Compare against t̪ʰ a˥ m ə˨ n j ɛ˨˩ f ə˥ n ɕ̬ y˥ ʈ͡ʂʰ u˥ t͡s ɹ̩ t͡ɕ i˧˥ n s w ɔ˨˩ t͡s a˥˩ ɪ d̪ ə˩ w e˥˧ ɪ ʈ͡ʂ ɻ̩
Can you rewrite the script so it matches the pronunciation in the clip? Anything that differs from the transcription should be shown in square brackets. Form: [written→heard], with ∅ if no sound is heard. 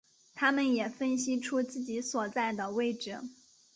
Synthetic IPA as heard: t̪ʰ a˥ m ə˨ n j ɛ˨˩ f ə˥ n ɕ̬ [y˥→i˥] ʈ͡ʂʰ u˥ t͡s ɹ̩ t͡ɕ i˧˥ [n→∅] s w ɔ˨˩ t͡s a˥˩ ɪ d̪ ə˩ w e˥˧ ɪ ʈ͡ʂ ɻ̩